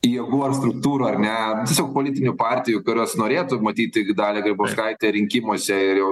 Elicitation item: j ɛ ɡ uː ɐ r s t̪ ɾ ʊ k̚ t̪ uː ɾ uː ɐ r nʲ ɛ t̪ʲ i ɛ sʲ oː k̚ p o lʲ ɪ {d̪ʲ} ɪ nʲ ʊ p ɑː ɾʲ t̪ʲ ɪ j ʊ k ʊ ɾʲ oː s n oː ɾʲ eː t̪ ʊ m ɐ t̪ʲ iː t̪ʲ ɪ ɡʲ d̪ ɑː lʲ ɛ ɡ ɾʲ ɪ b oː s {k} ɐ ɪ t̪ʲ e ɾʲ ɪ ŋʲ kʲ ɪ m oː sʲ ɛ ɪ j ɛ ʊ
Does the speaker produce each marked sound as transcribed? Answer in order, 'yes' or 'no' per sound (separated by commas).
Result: no, yes